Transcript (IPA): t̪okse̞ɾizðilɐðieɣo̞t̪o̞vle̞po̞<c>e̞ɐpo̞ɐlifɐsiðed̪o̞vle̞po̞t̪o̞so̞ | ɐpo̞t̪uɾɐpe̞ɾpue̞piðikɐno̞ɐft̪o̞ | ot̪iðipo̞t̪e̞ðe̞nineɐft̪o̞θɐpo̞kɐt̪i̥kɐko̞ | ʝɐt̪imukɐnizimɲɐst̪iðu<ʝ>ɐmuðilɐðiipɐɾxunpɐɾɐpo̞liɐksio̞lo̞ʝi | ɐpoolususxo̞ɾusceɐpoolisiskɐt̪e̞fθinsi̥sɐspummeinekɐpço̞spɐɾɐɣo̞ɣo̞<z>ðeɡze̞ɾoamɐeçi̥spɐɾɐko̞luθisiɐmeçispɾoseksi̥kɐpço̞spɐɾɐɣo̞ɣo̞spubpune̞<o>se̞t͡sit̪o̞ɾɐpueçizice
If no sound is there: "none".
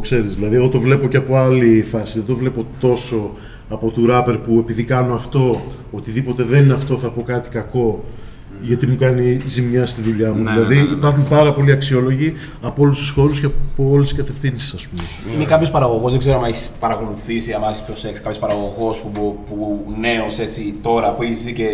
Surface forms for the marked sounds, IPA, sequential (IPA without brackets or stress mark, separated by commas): c, ʎ, z, o